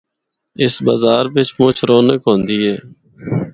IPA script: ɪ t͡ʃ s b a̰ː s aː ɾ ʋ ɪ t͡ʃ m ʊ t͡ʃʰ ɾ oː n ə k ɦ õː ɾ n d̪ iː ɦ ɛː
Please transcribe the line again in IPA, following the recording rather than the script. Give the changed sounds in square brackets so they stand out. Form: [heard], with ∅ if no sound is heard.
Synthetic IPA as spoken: ɪ [∅] s b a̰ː [z] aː ɾ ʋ ɪ t͡ʃ m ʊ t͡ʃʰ ɾ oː n ə k ɦ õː [∅] n d̪ iː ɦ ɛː